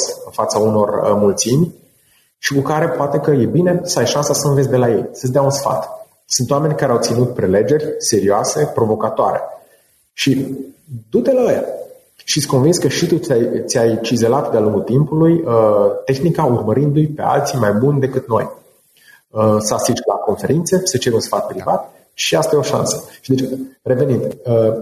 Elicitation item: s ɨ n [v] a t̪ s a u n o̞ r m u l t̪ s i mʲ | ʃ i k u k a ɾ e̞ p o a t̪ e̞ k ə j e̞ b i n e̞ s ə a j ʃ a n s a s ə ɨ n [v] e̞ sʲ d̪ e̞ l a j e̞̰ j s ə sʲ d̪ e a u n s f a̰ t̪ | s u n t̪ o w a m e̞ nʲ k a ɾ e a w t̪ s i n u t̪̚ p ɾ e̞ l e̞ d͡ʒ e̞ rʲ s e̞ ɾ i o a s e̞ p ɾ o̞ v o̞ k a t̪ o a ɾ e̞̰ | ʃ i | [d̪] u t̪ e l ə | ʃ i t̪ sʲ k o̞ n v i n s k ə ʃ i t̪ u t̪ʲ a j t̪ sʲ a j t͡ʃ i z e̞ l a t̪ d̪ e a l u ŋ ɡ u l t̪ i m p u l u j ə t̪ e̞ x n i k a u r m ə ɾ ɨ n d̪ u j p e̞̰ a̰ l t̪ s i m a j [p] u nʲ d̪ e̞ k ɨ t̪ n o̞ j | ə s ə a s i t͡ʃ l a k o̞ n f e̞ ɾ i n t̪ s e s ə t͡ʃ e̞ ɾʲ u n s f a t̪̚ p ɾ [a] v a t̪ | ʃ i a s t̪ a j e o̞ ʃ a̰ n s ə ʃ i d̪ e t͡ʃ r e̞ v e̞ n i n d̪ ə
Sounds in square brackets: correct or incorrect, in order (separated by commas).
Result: incorrect, correct, correct, incorrect, incorrect